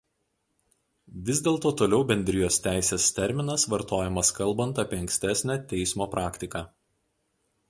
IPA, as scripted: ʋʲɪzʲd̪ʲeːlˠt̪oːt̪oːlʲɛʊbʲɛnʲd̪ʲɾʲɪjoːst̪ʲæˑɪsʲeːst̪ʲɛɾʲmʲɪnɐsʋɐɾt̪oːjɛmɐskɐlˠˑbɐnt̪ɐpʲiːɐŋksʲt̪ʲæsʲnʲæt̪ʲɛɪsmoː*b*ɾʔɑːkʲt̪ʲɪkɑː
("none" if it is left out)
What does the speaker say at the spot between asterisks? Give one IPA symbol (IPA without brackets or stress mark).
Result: p